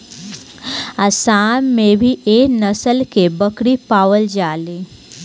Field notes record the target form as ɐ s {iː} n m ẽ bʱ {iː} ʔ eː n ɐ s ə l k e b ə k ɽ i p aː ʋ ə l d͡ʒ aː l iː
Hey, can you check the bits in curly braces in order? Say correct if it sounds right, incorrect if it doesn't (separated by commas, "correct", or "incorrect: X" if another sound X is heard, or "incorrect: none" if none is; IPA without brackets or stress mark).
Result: incorrect: aː, incorrect: i